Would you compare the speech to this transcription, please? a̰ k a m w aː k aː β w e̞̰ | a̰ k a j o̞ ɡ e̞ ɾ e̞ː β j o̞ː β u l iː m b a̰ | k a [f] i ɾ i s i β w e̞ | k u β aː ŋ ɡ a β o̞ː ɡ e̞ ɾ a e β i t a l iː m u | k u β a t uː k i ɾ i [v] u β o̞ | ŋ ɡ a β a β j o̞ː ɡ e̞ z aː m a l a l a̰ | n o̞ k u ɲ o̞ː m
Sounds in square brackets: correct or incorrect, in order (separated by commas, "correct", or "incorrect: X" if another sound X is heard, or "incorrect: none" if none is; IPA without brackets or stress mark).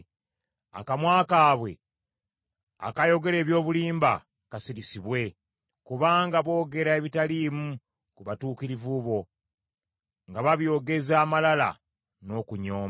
incorrect: s, correct